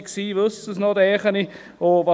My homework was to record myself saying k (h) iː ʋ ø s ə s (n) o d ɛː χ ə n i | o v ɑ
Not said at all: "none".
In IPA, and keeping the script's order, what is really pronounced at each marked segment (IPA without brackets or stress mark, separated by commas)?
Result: s, n